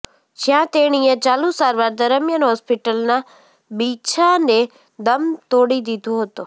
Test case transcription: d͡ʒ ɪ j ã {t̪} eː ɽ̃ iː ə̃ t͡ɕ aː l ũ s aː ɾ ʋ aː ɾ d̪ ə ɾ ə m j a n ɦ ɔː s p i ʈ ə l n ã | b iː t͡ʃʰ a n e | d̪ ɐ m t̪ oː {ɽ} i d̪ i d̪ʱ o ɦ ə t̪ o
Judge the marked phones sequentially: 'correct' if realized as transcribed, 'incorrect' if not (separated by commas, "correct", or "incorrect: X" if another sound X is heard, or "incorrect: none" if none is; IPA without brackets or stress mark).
correct, correct